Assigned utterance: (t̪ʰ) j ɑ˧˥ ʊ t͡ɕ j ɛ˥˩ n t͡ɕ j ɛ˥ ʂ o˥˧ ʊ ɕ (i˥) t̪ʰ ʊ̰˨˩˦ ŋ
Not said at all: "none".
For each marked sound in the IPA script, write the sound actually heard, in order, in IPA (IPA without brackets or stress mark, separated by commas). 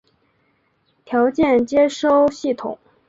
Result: t̪ʰ, i˥˩